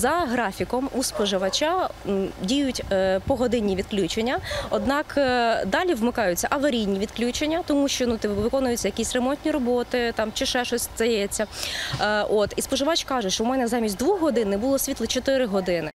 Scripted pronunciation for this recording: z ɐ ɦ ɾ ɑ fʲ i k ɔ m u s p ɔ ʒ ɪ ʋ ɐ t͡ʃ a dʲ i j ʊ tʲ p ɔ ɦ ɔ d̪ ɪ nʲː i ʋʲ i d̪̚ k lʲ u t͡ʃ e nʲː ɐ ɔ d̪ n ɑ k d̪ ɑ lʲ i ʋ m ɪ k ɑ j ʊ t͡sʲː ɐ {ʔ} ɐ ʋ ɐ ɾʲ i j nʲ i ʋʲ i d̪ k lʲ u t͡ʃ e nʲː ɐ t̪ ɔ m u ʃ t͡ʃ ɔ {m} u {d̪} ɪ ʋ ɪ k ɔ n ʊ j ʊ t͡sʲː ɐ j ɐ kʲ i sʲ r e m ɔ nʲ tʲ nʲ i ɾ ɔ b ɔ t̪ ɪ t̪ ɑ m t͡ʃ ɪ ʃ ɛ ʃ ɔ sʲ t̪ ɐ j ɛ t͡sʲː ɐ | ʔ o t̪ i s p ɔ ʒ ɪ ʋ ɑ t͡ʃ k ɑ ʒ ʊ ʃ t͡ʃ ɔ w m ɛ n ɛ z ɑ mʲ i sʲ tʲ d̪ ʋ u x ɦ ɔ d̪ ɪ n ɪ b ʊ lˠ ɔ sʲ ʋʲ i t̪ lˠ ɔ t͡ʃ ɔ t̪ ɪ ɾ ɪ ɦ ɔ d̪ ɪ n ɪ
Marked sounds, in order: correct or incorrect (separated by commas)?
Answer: correct, incorrect, incorrect